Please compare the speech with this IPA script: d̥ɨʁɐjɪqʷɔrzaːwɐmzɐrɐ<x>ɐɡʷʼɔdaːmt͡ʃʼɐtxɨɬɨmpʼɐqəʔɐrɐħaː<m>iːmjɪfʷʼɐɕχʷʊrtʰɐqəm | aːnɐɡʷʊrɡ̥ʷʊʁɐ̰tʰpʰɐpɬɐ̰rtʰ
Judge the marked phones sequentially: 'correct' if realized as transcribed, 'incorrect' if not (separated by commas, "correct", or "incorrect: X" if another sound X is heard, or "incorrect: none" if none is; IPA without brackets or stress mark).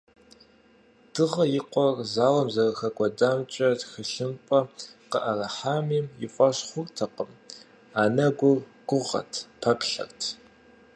correct, correct